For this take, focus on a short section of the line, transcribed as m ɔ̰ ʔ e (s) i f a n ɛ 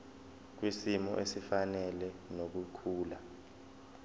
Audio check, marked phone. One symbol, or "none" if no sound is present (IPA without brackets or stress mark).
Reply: s